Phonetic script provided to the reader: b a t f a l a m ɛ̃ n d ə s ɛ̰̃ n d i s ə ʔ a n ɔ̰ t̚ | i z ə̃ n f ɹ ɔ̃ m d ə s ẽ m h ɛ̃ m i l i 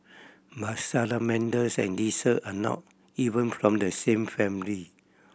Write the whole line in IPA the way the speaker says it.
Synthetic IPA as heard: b a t s a l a m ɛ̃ n d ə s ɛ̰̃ n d i s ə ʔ a n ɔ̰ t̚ | i v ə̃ n f ɹ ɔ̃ m d ə s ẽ m f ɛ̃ m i l i